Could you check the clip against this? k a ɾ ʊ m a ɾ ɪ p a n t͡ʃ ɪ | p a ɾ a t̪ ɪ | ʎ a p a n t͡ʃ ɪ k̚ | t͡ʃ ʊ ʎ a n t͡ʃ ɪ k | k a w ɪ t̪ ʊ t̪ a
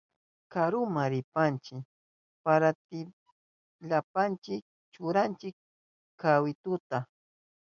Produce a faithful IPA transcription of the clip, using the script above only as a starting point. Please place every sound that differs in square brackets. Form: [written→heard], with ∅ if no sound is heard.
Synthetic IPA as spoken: k a ɾ ʊ m a ɾ ɪ p a n t͡ʃ ɪ | p a ɾ a t̪ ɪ | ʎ a p a n t͡ʃ ɪ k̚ | t͡ʃ ʊ [ʎ→ɾ] a n t͡ʃ ɪ k | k a w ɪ t̪ ʊ t̪ a